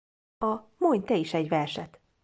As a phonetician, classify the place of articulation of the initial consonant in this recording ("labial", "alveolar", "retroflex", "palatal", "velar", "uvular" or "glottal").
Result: labial